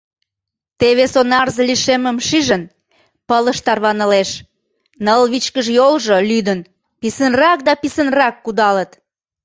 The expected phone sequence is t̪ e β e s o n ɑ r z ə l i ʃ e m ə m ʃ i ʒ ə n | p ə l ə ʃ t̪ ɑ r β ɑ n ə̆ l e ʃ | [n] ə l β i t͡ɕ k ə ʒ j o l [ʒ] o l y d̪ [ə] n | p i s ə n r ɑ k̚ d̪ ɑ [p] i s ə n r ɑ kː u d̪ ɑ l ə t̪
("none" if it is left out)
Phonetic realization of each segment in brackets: n, ʒ, ə, p

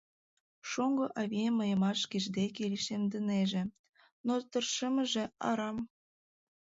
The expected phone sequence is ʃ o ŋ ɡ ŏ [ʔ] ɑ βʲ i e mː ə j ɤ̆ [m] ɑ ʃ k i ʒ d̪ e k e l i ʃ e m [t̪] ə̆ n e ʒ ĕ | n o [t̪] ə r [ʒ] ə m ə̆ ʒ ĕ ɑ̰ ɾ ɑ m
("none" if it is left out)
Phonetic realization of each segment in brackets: ʔ, m, d̪, t̪, ʃ

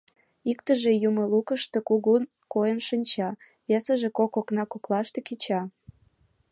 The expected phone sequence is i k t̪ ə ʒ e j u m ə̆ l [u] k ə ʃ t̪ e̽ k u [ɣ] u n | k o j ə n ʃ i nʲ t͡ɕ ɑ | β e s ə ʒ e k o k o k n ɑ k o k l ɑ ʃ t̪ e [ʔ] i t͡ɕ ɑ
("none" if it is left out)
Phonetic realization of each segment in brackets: u, ɣ, k

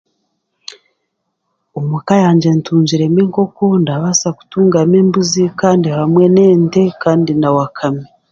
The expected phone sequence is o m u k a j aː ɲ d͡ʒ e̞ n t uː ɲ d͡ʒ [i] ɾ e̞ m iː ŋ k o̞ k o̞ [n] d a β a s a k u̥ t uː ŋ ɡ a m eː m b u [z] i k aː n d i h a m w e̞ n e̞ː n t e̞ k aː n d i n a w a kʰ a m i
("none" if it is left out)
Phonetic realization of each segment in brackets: i, n, z

